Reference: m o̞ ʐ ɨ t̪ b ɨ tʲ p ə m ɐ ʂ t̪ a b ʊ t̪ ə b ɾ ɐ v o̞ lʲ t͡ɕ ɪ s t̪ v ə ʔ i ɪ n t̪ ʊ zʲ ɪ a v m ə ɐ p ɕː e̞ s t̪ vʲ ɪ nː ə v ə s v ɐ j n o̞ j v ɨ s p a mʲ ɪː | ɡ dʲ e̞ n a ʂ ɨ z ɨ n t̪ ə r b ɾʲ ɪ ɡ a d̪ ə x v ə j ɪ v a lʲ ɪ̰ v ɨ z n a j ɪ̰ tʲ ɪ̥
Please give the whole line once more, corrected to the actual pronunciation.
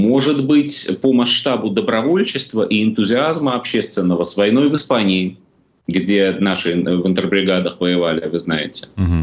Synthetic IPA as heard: m o̞ ʐ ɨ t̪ b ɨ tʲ p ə m ɐ ʂ t̪ a b ʊ d̪ ə b ɾ ɐ v o̞ lʲ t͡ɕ ɪ s t̪ v ə ʔ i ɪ n t̪ ʊ zʲ ɪ a z m ə ɐ p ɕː e̞ s t̪ vʲ ɪ nː ə v ə s v ɐ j n o̞ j v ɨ s p a nʲ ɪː | ɡ dʲ e̞ n a ʂ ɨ v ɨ n t̪ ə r b ɾʲ ɪ ɡ a d̪ ə x v ə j ɪ v a lʲ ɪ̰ v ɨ z n a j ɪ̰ tʲ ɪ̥